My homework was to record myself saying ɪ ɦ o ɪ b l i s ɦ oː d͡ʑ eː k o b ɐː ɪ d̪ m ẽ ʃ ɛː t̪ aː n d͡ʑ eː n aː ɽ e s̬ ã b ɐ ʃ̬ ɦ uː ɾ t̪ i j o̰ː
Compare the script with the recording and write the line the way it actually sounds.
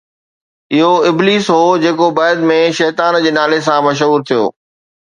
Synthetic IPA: ɪ ɦ o ɪ b l iː s ɦ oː d͡ʑ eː k o b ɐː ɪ d̪ m ẽ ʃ ɛː t̪ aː n d͡ʑ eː n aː l e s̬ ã m ɐ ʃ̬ ɦ uː ɾ t̪ʰ i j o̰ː